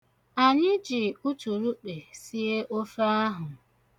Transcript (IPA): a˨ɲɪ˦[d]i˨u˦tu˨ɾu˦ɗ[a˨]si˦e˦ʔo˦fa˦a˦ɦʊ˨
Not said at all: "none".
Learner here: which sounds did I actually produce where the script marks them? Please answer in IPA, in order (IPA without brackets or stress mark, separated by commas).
d͡ʒ, e˨